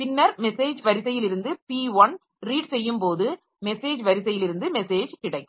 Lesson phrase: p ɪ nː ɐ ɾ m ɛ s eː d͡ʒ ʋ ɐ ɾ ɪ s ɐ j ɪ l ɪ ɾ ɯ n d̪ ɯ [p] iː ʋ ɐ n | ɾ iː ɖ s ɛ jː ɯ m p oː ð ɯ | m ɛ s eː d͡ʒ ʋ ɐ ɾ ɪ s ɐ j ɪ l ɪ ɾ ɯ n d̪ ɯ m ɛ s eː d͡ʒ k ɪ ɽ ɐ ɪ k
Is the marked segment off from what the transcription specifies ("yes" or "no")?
no